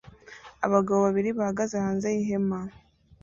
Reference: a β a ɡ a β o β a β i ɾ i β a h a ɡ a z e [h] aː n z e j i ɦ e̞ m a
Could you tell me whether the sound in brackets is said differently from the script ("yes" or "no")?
no